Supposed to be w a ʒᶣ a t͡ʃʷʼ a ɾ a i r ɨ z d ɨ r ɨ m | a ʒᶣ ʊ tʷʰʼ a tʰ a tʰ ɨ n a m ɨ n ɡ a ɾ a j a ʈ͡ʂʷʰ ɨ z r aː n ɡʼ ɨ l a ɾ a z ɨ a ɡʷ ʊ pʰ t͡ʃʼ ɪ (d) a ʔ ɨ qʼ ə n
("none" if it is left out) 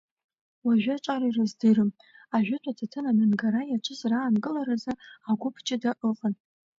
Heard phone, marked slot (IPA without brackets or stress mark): d